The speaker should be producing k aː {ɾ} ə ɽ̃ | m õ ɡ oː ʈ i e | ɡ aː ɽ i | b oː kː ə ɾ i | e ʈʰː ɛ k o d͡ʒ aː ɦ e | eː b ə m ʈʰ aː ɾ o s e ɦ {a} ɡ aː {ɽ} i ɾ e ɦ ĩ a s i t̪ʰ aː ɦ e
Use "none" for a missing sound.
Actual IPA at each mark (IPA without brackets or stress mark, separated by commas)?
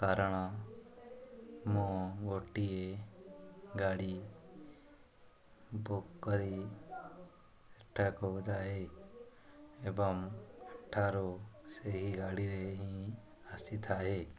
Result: ɾ, i, ɽ